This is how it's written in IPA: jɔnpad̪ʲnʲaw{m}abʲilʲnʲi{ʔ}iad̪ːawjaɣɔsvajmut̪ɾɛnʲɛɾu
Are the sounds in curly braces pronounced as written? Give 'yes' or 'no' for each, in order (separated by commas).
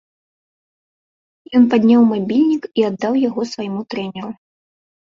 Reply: yes, no